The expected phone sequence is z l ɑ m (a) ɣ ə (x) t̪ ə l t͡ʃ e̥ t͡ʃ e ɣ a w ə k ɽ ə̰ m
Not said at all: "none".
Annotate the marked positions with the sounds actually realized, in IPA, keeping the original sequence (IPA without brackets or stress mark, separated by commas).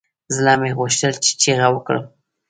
e, ʃ